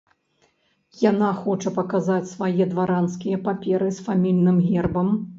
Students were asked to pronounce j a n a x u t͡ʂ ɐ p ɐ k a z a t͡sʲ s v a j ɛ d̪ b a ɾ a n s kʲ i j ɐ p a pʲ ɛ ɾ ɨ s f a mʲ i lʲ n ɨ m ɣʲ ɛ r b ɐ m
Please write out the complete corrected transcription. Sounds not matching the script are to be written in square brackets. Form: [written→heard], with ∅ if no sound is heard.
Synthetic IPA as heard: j a n a x [u→ɔ] t͡ʂ ɐ p ɐ k a z a t͡sʲ s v a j ɛ d̪ [b→v] a ɾ a n s kʲ i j ɐ p a pʲ ɛ ɾ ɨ s f a mʲ i lʲ n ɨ m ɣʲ ɛ r b ɐ m